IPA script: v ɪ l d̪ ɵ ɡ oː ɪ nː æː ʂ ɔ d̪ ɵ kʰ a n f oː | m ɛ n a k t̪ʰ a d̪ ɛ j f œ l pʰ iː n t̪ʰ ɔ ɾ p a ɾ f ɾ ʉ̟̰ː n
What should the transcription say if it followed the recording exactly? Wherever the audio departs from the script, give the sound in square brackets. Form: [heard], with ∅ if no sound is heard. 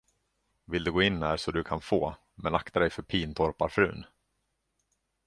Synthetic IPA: v ɪ l d̪ ɵ ɡ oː ɪ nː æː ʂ ɔ d̪ ɵ kʰ a n f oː | m ɛ n a k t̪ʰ a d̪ ɛ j f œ [ɾ] pʰ iː n t̪ʰ ɔ ɾ p a ɾ f ɾ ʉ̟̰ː n